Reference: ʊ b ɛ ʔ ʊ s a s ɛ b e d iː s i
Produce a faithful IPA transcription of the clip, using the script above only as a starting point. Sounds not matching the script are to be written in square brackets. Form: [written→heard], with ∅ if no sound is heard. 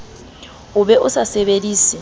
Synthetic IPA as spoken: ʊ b ɛ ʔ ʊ s a s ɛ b e d iː s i